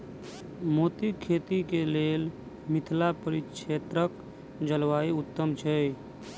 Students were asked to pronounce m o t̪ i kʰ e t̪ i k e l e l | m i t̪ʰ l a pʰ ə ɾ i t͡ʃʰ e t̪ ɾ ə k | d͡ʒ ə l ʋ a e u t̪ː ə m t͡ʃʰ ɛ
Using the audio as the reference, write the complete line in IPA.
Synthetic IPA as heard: m o t̪ i kʰ e t̪ i k e l e l | m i t̪ʰ l a p ə ɾ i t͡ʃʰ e t̪ ɾ ə k | d͡ʒ ə l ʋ a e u t̪ː ə m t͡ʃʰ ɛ